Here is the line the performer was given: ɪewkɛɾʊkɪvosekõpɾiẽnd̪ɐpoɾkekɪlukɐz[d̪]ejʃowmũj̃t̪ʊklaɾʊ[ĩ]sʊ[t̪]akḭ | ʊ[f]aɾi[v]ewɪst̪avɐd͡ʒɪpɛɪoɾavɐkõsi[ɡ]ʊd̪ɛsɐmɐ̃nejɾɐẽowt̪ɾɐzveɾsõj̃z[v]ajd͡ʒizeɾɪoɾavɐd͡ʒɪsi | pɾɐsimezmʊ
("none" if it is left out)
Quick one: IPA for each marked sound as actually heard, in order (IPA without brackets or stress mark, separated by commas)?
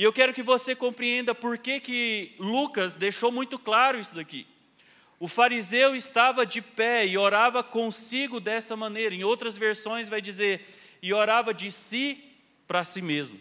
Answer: d̪, i, d̪, f, z, ɡ, v